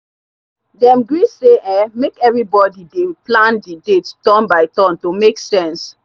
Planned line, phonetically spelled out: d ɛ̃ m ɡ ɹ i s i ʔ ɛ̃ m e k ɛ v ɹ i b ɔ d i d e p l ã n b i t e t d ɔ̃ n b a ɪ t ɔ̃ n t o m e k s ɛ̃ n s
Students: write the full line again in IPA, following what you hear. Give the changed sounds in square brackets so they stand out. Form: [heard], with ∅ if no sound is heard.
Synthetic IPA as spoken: d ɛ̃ m ɡ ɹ i s [e] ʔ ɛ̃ m e k ɛ v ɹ i b ɔ d i d e p l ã n [d] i [d] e t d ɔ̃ n b a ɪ t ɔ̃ n t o m e k s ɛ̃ n s